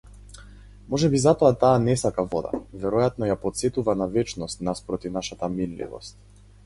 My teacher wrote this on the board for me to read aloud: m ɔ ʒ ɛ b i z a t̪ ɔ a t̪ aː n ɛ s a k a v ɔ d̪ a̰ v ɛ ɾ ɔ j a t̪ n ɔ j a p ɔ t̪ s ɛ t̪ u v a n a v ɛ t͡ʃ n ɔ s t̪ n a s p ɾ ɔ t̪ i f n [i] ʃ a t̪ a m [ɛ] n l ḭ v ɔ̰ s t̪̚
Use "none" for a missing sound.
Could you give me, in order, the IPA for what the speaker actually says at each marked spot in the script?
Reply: a, i

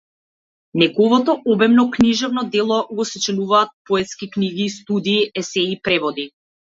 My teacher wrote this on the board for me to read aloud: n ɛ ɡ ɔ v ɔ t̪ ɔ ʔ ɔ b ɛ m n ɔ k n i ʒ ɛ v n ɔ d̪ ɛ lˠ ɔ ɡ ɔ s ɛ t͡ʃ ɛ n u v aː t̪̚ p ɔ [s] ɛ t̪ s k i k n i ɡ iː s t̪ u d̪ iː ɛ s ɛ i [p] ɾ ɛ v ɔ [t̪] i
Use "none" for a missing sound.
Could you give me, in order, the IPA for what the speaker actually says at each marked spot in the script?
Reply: none, p, d̪

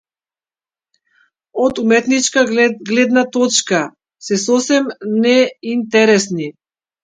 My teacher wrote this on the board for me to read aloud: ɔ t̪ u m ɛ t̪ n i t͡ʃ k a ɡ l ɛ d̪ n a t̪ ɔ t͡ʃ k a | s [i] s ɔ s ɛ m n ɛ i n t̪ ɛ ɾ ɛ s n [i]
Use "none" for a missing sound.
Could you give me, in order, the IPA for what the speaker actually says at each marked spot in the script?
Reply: ɛ, i

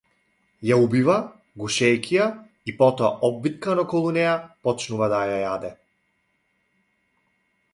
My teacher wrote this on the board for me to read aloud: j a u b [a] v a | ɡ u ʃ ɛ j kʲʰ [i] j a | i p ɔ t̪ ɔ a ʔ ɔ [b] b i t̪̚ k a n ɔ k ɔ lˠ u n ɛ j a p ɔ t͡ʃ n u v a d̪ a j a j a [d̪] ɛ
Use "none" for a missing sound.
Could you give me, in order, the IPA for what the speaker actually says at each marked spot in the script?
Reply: i, i, b, d̪

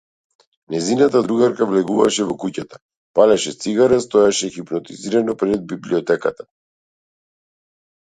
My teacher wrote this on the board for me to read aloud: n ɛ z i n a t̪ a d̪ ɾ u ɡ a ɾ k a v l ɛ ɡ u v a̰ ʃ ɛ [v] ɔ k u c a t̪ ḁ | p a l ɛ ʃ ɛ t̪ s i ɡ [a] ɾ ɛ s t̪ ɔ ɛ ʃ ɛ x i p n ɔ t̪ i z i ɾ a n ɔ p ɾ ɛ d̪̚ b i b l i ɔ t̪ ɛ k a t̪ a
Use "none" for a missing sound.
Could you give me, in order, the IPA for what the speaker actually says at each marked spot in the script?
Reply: v, a

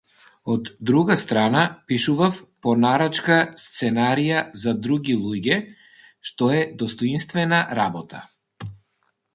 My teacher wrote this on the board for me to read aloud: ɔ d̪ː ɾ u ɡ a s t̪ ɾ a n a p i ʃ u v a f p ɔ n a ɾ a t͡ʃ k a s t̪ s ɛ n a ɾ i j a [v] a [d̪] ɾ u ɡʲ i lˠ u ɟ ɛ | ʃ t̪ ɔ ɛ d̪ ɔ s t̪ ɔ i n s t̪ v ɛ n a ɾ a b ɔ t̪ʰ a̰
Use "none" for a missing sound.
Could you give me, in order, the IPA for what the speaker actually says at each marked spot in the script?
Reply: z, d̪

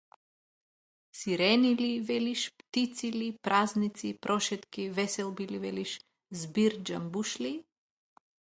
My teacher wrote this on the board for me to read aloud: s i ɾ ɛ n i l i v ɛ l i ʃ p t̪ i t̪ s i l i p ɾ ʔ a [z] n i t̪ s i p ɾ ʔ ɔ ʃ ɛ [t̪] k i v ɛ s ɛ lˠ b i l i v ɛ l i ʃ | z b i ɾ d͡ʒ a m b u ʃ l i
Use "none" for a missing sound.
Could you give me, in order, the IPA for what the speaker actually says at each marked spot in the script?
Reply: z, t̪

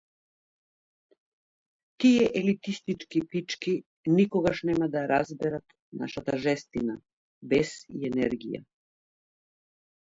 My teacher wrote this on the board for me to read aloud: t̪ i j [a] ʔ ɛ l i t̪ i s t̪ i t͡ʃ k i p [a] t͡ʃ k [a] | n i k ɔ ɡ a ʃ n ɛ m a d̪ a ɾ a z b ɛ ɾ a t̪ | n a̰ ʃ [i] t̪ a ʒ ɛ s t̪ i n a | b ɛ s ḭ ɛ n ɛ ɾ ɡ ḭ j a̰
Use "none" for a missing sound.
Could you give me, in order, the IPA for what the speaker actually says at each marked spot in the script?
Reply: ɛ, i, i, a

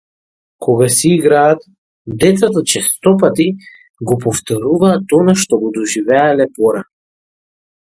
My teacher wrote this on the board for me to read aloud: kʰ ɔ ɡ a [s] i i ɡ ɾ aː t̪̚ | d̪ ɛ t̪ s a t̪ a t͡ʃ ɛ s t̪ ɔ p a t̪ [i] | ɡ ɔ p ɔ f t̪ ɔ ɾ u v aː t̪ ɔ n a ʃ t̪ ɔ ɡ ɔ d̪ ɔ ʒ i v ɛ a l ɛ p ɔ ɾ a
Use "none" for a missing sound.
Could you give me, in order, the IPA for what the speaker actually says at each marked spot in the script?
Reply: s, i

